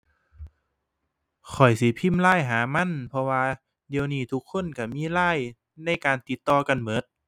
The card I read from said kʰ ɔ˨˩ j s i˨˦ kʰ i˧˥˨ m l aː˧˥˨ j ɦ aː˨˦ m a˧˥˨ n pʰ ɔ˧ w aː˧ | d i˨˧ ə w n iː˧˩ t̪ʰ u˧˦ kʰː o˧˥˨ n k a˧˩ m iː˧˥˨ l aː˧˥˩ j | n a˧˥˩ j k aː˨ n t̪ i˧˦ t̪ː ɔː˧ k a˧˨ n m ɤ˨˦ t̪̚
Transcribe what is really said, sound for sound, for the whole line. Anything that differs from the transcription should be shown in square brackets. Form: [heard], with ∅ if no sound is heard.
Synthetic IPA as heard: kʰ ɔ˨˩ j s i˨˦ [pʰ] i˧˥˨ m l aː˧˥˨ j ɦ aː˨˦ m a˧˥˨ n pʰ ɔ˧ w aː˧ | d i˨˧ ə w n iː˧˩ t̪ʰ u˧˦ kʰː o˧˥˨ n k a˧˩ m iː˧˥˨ l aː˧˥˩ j | n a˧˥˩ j k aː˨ n t̪ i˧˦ t̪ː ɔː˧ k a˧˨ n m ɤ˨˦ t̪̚